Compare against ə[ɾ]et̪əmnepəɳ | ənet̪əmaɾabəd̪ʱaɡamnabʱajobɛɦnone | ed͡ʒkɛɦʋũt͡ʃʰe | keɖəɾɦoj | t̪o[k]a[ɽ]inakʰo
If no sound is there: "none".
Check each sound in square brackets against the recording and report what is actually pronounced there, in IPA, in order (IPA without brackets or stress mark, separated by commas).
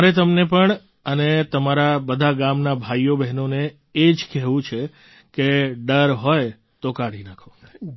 ɾ, k, ɽ